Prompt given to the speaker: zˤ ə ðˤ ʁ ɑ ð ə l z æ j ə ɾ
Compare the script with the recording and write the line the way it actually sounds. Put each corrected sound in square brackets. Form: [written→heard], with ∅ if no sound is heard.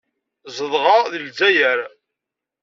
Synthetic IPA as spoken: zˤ ə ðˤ ʁ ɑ ð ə l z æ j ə ɾ